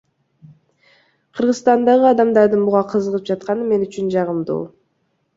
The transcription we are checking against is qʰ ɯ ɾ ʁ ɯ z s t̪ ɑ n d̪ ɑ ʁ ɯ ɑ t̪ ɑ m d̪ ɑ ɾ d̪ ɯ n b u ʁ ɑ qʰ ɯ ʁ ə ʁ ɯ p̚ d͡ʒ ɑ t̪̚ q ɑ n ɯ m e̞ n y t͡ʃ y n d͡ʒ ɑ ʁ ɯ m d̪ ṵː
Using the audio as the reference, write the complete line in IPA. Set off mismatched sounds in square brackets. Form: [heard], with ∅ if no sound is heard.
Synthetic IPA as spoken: qʰ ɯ ɾ ʁ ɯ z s t̪ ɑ n d̪ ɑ ʁ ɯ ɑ [d̪] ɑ m d̪ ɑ ɾ d̪ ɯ n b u ʁ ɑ qʰ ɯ [z] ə ʁ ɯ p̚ d͡ʒ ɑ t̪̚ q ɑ n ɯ m e̞ n y t͡ʃ y n d͡ʒ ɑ ʁ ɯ m d̪ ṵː